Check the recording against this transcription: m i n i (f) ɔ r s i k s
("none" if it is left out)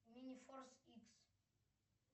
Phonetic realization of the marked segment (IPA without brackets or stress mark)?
f